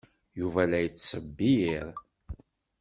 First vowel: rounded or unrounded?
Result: rounded